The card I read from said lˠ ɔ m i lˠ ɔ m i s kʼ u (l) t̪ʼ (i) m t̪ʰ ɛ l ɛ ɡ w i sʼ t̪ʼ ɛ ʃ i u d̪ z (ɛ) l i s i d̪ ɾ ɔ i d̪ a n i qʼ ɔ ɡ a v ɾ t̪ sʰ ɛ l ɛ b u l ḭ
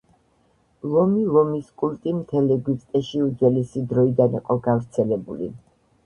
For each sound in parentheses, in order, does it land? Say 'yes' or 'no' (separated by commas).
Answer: yes, yes, yes